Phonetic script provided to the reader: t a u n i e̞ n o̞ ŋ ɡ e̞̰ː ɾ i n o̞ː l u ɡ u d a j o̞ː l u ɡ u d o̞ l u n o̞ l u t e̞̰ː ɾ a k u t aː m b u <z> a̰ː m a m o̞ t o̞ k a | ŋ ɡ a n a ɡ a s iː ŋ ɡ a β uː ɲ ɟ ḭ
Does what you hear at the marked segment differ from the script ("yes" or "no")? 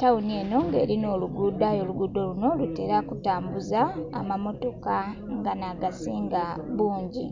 no